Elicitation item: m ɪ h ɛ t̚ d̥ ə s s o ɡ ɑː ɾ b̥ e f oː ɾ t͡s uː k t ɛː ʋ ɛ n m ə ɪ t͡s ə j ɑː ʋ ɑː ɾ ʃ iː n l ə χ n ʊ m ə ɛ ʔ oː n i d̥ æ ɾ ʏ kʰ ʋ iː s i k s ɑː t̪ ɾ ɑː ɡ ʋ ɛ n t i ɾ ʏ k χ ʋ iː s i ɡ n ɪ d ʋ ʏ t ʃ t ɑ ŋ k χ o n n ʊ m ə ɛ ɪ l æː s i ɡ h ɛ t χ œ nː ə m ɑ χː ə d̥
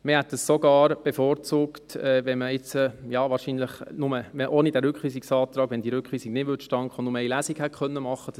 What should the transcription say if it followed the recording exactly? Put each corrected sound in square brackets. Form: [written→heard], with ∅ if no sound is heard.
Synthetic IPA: m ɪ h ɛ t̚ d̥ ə s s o ɡ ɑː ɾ b̥ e f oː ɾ t͡s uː k t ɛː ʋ ɛ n m ə ɪ t͡s ə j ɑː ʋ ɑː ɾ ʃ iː n l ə χ n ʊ m ə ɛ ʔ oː n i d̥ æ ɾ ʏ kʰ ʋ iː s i k s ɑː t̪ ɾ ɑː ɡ ʋ ɛ n [t→d] i ɾ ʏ k χ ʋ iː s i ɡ n ɪ d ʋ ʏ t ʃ t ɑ ŋ k χ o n n ʊ m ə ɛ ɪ l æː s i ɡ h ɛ t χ œ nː ə m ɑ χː ə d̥